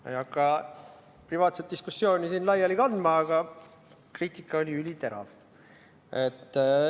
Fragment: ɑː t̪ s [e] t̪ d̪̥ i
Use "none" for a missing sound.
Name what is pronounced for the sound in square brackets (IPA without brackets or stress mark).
e